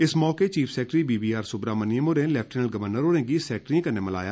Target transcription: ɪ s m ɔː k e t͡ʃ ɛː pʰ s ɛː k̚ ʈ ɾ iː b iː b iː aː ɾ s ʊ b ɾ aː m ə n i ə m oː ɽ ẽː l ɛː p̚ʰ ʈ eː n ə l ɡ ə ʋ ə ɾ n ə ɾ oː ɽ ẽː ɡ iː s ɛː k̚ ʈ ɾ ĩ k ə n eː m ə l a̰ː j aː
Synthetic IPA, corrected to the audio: ɪ s m ɔː k e t͡ʃ iː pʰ s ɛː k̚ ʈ ɾ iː b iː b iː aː ɾ s ʊ b ɾ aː m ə n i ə m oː ɾ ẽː l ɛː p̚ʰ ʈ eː n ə l ɡ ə ʋ ə ɾ n ə ɾ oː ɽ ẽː ɡ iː s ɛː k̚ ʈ ɾ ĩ k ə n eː m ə l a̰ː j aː